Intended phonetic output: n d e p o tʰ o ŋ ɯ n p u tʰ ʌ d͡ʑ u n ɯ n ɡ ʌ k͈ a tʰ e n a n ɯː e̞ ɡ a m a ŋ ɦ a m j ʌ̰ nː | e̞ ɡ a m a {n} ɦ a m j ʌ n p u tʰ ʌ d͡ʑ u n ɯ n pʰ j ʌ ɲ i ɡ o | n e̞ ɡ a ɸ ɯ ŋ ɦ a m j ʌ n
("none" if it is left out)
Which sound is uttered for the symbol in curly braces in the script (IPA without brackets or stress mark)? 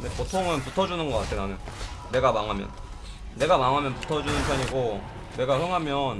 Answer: ŋ